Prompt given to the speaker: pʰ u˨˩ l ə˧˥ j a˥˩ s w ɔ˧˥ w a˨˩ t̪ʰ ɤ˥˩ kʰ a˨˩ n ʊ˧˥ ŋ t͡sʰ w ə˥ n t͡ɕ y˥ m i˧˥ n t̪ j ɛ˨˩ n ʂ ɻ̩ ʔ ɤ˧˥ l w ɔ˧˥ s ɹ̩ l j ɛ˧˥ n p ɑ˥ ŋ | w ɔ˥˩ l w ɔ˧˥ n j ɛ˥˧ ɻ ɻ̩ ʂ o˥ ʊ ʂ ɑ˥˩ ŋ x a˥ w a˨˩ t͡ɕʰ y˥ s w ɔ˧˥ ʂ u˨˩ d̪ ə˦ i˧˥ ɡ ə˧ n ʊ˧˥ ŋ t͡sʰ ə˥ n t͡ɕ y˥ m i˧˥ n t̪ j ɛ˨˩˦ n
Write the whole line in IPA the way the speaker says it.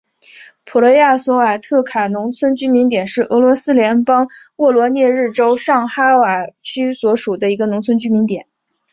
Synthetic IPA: pʰ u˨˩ l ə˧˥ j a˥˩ s w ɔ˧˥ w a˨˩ t̪ʰ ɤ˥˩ kʰ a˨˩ n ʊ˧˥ ŋ t͡sʰ w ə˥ n t͡ɕ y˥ m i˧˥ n t̪ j ɛ˨˩ n ʂ ɻ̩ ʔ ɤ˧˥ l w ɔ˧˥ s ɹ̩ l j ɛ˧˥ n p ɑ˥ ŋ | w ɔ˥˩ l w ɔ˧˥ n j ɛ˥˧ ɻ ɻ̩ ʈ͡ʂ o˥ ʊ ʂ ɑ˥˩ ŋ x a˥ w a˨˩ t͡ɕʰ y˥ s w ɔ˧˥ ʂ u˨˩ d̪ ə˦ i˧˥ ɡ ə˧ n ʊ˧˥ ŋ t͡sʰ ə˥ n t͡ɕ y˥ m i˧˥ n t̪ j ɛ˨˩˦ n